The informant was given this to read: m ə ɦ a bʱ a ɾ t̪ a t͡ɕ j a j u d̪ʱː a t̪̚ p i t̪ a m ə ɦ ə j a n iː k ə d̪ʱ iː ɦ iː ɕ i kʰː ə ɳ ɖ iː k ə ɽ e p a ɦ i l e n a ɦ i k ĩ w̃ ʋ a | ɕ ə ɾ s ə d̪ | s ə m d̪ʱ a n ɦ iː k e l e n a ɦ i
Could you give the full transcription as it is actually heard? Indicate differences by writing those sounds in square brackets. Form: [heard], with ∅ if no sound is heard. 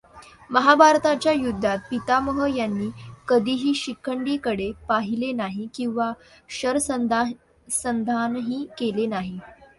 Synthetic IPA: m ə ɦ a bʱ a ɾ t̪ a t͡ɕ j a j u d̪ʱː a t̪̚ p i t̪ a m ə ɦ ə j a [nː] iː k ə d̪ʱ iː ɦ iː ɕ i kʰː ə ɳ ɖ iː k ə ɽ e p a ɦ i l e n a ɦ i k ĩ w̃ ʋ a | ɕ ə ɾ s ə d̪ | s ə [n] d̪ʱ a n ɦ iː k e l e n a ɦ i